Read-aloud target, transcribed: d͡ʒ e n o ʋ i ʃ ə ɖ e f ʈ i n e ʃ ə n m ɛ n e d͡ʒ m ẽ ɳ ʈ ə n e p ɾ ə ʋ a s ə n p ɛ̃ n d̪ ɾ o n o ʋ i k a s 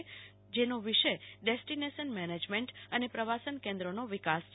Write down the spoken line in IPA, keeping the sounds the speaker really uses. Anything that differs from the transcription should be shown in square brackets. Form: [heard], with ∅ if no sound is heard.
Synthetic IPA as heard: d͡ʒ e n o ʋ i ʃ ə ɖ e [s] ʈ i n e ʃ ə n m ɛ n e d͡ʒ m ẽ ɳ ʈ ə n e p ɾ ə ʋ a s ə n [k] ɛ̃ n d̪ ɾ o n o ʋ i k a s